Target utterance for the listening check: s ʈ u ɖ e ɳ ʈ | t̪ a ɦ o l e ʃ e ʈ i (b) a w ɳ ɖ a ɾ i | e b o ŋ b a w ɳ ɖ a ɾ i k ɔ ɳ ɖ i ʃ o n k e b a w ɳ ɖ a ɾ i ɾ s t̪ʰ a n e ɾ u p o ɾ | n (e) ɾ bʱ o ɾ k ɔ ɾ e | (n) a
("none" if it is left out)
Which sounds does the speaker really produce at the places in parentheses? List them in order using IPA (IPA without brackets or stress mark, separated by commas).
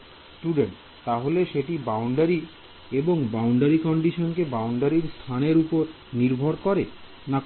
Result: b, i, n